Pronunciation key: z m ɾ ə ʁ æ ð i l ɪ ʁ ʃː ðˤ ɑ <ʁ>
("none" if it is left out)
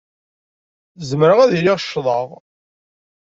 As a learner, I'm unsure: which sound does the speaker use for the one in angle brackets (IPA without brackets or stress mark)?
ʁ